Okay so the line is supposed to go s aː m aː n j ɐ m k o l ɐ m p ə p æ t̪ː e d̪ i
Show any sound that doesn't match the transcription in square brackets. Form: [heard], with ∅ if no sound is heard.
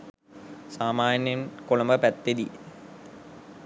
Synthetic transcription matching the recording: s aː m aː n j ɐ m k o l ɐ m [b] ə p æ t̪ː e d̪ i